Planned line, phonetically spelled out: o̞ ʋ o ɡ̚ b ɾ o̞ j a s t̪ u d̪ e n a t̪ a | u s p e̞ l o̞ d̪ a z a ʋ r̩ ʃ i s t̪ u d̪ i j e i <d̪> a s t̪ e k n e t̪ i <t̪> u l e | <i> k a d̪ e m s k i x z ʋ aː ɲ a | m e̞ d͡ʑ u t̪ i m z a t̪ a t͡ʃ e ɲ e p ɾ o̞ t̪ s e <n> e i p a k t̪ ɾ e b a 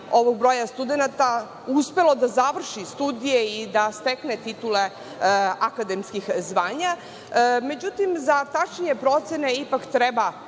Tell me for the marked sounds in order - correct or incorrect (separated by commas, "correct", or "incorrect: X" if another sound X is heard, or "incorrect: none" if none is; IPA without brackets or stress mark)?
correct, correct, incorrect: a, correct